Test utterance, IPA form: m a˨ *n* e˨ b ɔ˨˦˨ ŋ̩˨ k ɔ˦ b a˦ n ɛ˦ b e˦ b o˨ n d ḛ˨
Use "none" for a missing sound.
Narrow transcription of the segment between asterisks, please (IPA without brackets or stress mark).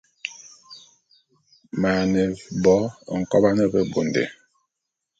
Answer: n